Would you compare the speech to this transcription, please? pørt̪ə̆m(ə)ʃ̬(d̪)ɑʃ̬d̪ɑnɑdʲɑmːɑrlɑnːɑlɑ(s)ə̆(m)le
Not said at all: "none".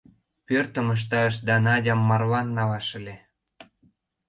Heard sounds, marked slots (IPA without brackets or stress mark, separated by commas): ə, t̪, ʃ, none